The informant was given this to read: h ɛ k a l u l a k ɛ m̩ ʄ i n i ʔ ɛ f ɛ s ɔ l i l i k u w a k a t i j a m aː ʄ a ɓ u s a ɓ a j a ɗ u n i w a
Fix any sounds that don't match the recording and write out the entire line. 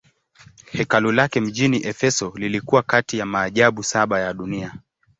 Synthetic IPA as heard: h ɛ k a l u l a k ɛ m̩ ʄ i n i ʔ ɛ f ɛ s ɔ l i l i k u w a k a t i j a m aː ʄ a ɓ u s a ɓ a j a ɗ u n i a